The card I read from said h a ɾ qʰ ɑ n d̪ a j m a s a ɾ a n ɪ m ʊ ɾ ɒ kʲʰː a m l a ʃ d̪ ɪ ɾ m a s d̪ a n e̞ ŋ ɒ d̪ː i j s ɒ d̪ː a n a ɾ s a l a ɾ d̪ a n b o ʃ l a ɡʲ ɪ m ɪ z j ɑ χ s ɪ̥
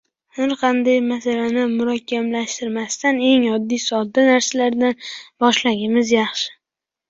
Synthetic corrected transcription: h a ɾ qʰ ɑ n d̪ a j m a s a l a n ɪ m ʊ ɾ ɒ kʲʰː a m l a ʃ t̪ ɪ ɾ m a s t̪ a n e̞ ŋ ɒ d̪ː i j s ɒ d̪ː a n a ɾ s a l a ɾ d̪ a n b ɒ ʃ l a ɡʲ ɪ m ɪ z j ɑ χ ʃ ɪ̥

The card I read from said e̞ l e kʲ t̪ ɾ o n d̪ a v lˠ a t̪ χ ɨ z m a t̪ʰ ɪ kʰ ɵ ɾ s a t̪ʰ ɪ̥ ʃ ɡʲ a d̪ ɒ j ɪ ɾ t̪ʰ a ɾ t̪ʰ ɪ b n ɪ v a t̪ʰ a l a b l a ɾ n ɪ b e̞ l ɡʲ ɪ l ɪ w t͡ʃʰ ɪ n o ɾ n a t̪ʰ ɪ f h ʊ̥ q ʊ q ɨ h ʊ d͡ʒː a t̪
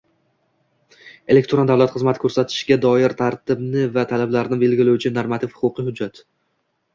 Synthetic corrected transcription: e̞ l e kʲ t̪ ɾ o n d̪ a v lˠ a t̪ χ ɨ z m a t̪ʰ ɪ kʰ ɵ ɾ s a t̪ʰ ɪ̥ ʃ ɡʲ a d̪ ɒ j ɪ ɾ t̪ʰ a ɾ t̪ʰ ɪ b n ɪ v a t̪ʰ a l a b l a ɾ n ɪ b e̞ l ɡʲ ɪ l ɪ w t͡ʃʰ ɪ n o ɾ m a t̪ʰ ɪ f h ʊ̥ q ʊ q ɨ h ʊ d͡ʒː a t̪

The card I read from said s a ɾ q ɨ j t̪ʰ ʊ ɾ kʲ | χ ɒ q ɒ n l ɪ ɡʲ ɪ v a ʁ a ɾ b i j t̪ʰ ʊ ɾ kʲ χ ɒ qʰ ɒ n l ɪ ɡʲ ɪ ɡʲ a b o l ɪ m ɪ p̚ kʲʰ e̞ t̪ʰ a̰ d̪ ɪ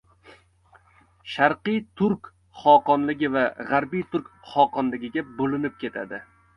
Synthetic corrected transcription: ʃ a ɾ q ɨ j t̪ʰ ʊ ɾ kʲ | χ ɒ q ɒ n l ɪ ɡʲ ɪ v a ʁ a ɾ b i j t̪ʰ ʊ ɾ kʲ χ ɒ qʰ ɒ n l ɪ ɡʲ ɪ ɡʲ a b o l ɪ n ɪ p̚ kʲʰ e̞ t̪ʰ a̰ d̪ ɪ

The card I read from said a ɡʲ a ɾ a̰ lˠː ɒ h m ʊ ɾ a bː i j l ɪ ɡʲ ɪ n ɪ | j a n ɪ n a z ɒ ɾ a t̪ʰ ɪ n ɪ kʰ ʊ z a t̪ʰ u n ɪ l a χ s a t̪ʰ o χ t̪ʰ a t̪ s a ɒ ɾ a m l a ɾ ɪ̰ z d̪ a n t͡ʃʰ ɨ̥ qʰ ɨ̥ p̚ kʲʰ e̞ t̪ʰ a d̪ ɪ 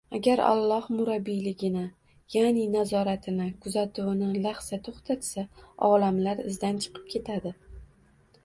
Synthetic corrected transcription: a ɡʲ a ɾ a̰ lˠː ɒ h m ʊ ɾ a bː i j l ɪ ɡʲ ɪ n ɪ | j a n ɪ n a z ɒ ɾ a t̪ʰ ɪ n ɪ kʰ ʊ z a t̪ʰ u n ɪ l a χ s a t̪ʰ o χ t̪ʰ a t̪ s a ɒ l a m l a ɾ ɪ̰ z d̪ a n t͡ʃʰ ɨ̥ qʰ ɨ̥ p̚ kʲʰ e̞ t̪ʰ a d̪ ɪ

